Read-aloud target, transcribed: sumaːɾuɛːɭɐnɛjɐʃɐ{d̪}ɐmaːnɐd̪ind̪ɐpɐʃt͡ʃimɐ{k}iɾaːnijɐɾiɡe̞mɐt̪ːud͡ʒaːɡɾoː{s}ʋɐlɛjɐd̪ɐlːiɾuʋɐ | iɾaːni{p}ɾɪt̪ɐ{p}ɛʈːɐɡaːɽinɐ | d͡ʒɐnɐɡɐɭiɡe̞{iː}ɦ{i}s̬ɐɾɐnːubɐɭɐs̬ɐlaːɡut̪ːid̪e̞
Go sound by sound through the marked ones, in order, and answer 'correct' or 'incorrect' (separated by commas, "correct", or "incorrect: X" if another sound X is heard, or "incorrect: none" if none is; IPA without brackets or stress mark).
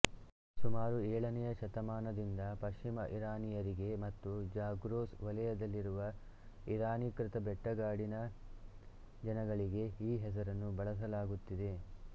incorrect: t̪, incorrect: ʔ, correct, incorrect: k, incorrect: b, correct, incorrect: ɛ